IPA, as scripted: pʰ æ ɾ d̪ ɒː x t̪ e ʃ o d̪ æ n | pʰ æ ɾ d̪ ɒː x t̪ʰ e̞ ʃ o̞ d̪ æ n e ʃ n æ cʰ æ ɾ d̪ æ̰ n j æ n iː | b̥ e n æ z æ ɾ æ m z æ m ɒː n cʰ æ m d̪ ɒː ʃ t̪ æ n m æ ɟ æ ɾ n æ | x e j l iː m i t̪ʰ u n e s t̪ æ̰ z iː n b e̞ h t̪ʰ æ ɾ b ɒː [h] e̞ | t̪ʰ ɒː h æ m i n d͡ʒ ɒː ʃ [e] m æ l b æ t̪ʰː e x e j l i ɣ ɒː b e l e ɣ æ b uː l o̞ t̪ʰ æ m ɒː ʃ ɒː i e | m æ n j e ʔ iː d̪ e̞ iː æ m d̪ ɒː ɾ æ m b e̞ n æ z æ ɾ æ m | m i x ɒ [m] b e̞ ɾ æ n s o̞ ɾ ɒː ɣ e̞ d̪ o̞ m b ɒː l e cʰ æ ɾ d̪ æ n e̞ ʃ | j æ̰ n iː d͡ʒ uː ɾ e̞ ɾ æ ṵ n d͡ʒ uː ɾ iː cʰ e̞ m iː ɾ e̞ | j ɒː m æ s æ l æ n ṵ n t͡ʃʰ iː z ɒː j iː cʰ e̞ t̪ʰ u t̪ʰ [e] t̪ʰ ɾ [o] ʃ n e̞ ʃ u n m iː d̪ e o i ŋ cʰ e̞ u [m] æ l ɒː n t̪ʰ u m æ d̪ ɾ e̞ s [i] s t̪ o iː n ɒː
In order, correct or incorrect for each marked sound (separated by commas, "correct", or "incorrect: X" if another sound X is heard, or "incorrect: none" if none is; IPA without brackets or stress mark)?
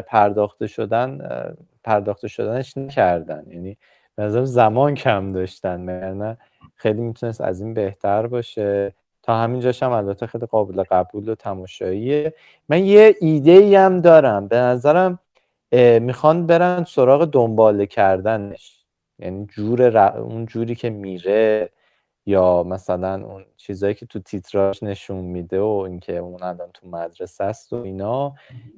incorrect: ʃ, incorrect: æ, incorrect: n, incorrect: i, incorrect: ɒ, incorrect: n, incorrect: æ